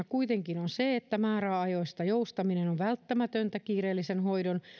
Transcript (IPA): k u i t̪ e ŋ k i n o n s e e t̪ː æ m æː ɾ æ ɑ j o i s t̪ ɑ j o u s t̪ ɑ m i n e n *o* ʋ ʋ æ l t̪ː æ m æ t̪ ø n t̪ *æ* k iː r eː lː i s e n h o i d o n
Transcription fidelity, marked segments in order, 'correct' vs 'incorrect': correct, correct

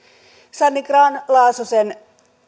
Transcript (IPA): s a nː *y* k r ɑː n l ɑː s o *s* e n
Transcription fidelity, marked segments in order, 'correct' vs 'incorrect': incorrect: i, correct

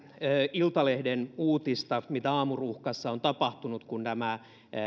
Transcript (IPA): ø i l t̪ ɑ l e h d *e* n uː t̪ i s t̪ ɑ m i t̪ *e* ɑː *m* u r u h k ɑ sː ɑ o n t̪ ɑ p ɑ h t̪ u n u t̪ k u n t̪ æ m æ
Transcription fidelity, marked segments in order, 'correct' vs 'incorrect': correct, incorrect: æ, correct

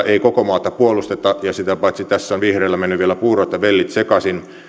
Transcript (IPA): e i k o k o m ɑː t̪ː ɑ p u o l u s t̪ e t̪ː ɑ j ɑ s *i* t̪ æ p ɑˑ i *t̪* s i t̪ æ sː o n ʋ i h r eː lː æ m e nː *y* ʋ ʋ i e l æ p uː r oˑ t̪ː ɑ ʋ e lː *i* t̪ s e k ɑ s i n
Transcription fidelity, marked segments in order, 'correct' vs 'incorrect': correct, correct, correct, correct

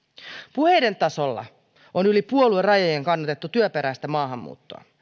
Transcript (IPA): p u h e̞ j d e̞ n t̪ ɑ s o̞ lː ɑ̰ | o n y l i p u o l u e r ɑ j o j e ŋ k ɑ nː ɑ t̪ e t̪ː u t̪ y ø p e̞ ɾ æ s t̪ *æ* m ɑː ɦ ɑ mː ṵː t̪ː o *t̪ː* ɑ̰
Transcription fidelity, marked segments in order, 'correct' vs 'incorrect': correct, incorrect: none

